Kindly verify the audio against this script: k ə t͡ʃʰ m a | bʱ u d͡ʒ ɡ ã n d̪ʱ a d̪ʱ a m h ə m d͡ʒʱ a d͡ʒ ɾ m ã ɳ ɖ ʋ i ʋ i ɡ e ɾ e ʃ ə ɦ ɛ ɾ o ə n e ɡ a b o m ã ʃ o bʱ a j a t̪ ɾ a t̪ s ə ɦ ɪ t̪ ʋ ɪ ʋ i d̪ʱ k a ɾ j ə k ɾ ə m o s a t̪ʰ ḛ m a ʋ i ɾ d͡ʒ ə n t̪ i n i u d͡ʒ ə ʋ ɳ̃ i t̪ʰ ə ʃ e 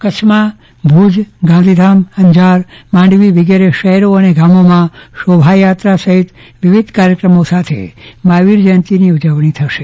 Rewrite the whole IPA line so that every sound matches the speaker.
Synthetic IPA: k ə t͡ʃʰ m a | bʱ u d͡ʒ ɡ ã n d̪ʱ i d̪ʱ a m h ə ɲ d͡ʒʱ a ɾ m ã ɳ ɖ ʋ i ʋ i ɡ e ɾ e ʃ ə ɦ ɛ ɾ o ə n e ɡ a m o m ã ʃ o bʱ a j a t̪ ɾ a s ə ɦ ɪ t̪ ʋ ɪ ʋ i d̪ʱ k a ɾ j ə k ɾ ə m o s a t̪ʰ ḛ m a ʋ i ɾ d͡ʒ ə n t̪ i n i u d͡ʒ ə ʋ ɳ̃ i t̪ʰ ə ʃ e

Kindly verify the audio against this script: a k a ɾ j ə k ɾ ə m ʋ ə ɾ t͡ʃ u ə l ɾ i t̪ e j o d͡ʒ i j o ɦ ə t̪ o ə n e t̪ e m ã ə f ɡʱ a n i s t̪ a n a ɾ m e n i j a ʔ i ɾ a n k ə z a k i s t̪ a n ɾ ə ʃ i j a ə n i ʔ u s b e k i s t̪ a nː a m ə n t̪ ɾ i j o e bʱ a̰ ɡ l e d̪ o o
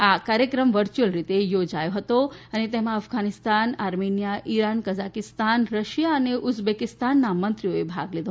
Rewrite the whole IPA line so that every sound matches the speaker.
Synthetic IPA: a k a ɾ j ə k ɾ ə m ʋ ə ɾ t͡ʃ u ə l ɾ i t̪ e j o d͡ʒ a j o ɦ ə t̪ o ə n e t̪ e m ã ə f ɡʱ a n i s t̪ a n a ɾ m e n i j a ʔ i ɾ a n k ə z a k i s t̪ a n ɾ ə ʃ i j a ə n e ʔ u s b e k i s t̪ a nː a m ə n t̪ ɾ i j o e bʱ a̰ ɡ l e d̪ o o

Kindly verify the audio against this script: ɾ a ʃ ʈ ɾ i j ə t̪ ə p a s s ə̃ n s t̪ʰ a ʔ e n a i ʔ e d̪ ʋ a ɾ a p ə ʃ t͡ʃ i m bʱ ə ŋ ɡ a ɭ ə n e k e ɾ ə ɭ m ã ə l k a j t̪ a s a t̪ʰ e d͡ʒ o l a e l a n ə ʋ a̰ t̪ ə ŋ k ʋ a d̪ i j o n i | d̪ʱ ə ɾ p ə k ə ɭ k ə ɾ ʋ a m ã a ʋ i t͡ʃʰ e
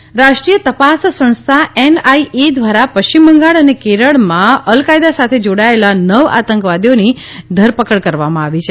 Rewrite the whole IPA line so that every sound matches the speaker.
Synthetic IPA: ɾ a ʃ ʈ ɾ i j ə t̪ ə p a s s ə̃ n s t̪ʰ a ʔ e n a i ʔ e d̪ ʋ a ɾ a p ə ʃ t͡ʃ i m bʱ ə ŋ ɡ a ɭ ə n e k e ɾ ə ɭ m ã ə l k a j d̪ a s a t̪ʰ e d͡ʒ o ɽ a e l a n ə ʋ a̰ t̪ ə ŋ k ʋ a d̪ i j o n i | d̪ʱ ə ɾ p ə k ə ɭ k ə ɾ ʋ a m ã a ʋ i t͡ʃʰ e

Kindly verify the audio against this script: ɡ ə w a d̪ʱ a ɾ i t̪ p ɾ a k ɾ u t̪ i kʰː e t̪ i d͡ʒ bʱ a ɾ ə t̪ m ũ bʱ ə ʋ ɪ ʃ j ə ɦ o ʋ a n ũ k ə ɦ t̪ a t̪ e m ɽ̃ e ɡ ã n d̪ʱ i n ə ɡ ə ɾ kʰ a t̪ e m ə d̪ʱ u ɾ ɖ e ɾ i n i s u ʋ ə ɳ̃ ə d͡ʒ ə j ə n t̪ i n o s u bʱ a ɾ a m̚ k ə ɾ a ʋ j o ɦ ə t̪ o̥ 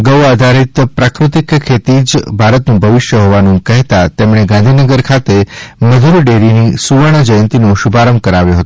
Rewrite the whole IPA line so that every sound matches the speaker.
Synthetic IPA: ɡ ə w a d̪ʱ a ɾ i t̪ p ɾ a k ɾ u t̪ i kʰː e t̪ i d͡ʒ bʱ a ɾ ə t̪ n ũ bʱ ə ʋ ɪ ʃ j ə ɦ o ʋ a n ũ k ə ɦ t̪ a t̪ e m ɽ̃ e ɡ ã n d̪ʱ i n ə ɡ ə ɾ kʰ a t̪ e m ə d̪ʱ u ɾ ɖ e ɾ i n i s u ʋ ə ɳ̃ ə d͡ʒ ə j ə n t̪ i n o ʃ u bʱ a ɾ ə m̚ k ə ɾ a ʋ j o ɦ ə t̪ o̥

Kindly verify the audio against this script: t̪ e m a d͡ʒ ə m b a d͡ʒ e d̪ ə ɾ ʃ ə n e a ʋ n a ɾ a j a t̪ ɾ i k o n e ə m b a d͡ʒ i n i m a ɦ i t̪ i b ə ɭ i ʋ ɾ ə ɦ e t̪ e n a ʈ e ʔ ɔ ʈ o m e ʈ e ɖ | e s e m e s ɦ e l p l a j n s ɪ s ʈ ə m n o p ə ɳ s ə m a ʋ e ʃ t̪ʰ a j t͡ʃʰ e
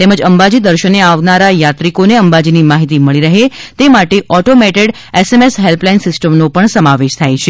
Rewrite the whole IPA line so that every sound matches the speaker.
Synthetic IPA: t̪ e m ə d͡ʒ ə m b a d͡ʒ i d̪ ə ɾ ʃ ə n e a ʋ n a ɾ a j a t̪ ɾ i k o n e ə m b a d͡ʒ i n i m a ɦ i t̪ i m ə ɭ i ɾ ə ɦ e t̪ e m a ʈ e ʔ ɔ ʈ o m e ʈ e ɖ | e s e m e s ɦ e l p l a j n s ɪ s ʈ ə m n o p ə ɳ s ə m a ʋ e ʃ t̪ʰ a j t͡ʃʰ e

